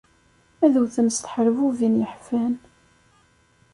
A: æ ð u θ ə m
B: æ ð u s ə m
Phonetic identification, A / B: A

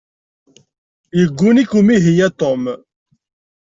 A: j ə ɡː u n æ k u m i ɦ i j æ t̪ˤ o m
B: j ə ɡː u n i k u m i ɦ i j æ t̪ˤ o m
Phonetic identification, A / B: B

